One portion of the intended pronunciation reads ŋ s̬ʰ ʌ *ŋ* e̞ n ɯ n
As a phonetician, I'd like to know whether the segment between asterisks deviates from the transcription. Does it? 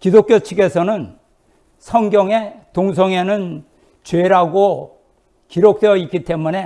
no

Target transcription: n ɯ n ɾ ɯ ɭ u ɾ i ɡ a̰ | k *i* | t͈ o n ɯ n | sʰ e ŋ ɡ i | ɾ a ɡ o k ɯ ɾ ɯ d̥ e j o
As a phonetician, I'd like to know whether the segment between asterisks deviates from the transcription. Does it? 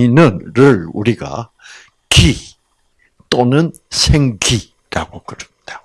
no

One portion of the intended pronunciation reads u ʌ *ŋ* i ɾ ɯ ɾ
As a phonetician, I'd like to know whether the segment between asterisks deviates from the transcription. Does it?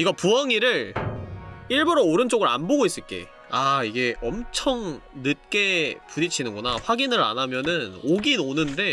no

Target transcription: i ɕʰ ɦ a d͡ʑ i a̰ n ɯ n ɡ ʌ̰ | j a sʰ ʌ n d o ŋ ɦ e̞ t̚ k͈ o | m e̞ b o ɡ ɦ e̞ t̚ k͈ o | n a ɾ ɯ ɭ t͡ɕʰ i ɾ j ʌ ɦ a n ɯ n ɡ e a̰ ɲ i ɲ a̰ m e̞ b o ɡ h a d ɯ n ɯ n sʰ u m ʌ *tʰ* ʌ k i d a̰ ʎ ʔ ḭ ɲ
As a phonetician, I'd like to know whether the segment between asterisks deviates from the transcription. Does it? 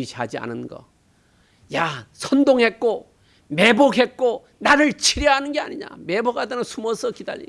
yes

